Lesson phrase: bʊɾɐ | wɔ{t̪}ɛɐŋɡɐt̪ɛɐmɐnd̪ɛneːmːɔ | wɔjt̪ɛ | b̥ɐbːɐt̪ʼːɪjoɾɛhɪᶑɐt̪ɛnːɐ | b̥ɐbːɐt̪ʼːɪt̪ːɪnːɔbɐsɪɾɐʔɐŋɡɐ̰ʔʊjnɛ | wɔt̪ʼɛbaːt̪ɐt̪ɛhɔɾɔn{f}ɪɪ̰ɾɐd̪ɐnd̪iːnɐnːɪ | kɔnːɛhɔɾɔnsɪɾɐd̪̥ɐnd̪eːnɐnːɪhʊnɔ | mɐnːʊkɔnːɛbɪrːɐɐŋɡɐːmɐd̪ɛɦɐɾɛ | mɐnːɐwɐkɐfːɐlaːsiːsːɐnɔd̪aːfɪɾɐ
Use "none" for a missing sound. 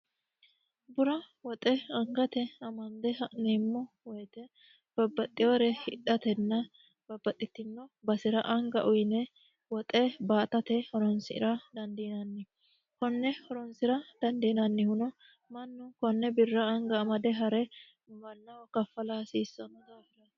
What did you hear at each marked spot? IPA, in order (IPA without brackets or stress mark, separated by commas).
t̪ʼ, s